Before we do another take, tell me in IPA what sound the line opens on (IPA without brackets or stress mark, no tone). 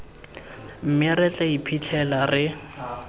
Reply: m̩